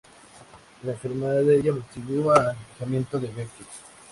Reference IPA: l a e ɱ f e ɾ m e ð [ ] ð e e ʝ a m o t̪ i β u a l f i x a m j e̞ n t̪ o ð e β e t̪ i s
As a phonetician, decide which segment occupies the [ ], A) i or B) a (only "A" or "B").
B